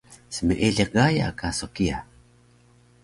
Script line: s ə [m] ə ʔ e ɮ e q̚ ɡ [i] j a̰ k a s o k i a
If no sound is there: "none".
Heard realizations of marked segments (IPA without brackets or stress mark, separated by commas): m, a